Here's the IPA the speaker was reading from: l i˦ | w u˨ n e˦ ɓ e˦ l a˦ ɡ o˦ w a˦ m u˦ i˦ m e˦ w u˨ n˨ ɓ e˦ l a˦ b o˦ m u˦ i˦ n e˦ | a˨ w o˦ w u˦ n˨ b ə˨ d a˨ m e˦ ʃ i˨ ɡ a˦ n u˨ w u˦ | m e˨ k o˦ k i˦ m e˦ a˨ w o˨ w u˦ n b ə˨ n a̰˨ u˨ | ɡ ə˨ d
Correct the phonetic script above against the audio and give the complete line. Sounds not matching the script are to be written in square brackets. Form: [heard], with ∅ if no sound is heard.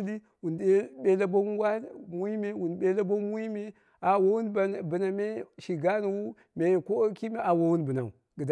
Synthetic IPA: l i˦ | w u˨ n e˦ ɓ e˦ l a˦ [b] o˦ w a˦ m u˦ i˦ m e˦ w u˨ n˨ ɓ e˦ l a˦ b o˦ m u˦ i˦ [m] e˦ | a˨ w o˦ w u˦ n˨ b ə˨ [n] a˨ m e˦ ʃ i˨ ɡ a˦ n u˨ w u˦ | m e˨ k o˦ k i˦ m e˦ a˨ w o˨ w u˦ n b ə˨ n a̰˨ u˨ | ɡ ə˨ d